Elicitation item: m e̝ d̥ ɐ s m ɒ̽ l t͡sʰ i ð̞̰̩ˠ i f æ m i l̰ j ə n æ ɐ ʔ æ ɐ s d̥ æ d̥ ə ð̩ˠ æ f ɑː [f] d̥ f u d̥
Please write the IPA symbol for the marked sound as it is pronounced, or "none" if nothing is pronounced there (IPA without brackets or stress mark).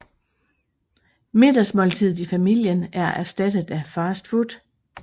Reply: s